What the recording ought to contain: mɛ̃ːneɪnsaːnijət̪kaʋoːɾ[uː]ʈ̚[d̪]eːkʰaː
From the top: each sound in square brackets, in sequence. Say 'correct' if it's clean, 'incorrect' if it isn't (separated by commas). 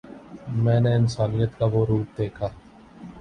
correct, correct